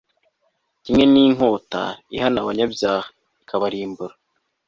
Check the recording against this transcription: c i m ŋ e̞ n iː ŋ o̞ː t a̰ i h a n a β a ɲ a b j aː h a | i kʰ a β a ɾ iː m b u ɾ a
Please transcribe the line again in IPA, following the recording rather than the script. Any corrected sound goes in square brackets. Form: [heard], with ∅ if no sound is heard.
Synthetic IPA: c i m ŋ e̞ n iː ŋ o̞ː t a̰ i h a n a β a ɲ a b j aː h a | i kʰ a β a ɾ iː m b u ɾ a